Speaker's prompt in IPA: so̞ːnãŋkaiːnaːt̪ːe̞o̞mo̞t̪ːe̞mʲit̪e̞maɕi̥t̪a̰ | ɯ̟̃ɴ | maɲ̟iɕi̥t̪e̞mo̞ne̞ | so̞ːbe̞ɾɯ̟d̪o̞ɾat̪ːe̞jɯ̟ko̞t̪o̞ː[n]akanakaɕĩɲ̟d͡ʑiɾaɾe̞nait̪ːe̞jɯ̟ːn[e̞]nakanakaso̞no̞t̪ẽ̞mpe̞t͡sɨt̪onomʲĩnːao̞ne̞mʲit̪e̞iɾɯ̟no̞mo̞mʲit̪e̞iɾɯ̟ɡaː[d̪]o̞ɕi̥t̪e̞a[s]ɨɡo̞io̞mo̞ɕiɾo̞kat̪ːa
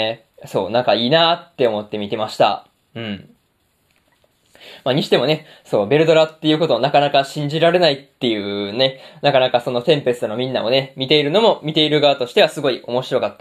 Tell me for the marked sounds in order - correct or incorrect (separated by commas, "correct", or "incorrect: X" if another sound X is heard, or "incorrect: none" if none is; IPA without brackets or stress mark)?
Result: correct, correct, incorrect: t̪, correct